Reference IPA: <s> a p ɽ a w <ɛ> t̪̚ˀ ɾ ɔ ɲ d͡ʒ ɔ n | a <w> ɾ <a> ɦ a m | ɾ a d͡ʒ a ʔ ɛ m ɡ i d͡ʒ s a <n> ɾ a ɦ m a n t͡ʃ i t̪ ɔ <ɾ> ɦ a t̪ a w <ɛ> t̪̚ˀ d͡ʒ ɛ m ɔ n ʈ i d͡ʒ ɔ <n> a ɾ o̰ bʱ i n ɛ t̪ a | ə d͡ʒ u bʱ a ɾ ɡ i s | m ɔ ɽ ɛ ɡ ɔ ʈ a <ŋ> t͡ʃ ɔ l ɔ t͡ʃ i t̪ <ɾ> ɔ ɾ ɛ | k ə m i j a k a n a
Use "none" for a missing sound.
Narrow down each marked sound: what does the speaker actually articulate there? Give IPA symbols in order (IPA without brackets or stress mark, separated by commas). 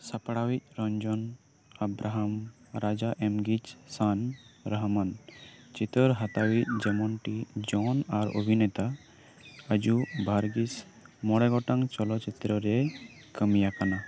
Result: s, i, b, a, n, ɾ, i, n, ŋ, ɾ